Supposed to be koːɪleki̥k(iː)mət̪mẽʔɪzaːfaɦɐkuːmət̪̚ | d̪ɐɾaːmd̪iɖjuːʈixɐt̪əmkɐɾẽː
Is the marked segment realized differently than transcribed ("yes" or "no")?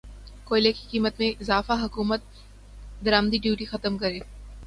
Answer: no